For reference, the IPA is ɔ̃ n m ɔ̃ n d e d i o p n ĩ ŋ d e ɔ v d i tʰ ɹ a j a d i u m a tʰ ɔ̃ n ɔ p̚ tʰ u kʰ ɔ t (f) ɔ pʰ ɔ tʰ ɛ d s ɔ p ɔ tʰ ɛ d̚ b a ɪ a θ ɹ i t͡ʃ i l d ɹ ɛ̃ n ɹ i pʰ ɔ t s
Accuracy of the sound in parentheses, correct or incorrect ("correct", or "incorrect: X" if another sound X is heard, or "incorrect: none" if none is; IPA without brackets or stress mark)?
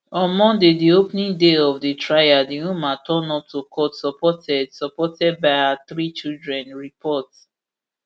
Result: incorrect: s